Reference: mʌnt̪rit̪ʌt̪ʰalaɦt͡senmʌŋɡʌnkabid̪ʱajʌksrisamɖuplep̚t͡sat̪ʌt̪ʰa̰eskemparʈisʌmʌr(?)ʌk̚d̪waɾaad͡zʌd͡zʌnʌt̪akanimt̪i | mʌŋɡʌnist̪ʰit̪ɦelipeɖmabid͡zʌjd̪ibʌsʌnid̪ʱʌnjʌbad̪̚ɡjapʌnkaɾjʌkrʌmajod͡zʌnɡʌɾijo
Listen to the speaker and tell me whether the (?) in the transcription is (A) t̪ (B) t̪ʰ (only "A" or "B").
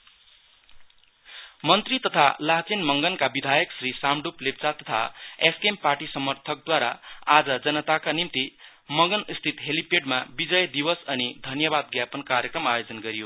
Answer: B